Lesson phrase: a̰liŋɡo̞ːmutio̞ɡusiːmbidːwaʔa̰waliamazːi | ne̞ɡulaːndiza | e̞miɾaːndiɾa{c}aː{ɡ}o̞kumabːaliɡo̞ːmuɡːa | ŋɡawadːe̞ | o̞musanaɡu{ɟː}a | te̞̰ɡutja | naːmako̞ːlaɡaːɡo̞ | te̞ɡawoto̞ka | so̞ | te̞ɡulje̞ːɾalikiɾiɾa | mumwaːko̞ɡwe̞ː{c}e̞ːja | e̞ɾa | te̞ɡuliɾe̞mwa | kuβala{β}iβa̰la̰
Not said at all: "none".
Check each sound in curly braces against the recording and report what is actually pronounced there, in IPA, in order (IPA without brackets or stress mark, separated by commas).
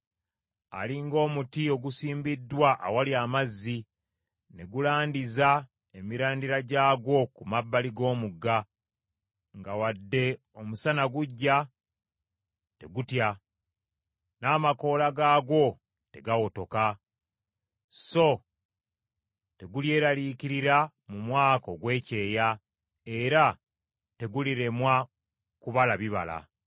ɟ, ɡ, ɟː, c, β